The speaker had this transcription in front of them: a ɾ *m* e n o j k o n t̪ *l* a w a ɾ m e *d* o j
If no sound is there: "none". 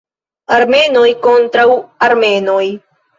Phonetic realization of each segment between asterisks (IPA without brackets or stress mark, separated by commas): m, ɾ, n